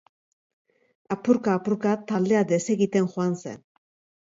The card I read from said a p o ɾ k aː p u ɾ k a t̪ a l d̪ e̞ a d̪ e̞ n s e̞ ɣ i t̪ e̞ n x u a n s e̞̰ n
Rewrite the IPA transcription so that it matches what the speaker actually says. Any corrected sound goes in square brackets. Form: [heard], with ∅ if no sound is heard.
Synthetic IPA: a p [u] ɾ k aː p u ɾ k a t̪ a l d̪ e̞ a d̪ e̞ [∅] s e̞ ɣ i t̪ e̞ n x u a n s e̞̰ n